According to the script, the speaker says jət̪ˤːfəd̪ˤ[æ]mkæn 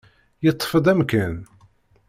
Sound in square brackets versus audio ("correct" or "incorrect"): correct